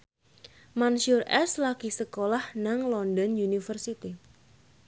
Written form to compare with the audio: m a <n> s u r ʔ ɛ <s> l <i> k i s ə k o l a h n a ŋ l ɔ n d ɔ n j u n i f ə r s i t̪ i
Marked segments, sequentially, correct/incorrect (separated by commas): correct, correct, incorrect